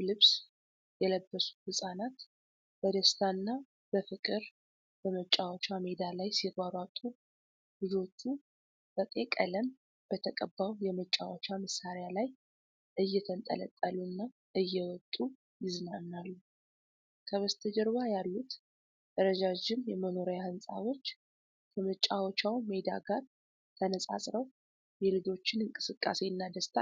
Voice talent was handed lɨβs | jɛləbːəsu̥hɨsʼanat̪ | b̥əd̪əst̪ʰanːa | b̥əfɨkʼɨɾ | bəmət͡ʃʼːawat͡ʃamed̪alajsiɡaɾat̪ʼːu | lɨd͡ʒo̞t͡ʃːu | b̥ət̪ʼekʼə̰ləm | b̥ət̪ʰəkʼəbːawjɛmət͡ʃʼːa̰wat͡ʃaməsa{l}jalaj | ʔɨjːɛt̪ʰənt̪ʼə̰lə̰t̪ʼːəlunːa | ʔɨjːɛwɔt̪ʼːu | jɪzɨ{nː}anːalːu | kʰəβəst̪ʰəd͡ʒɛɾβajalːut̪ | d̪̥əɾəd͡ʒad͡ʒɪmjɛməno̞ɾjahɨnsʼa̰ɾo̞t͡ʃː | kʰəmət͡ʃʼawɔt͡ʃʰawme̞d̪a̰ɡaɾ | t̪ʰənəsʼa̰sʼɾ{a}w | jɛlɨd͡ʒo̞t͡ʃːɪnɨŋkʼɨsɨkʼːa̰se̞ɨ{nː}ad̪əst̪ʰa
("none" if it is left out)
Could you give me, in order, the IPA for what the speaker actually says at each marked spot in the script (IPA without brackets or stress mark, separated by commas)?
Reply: ɾ, n, ə, nː